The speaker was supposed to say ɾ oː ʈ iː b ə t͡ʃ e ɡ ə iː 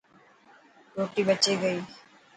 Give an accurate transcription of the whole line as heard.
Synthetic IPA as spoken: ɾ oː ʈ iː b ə t͡ʃ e ɡ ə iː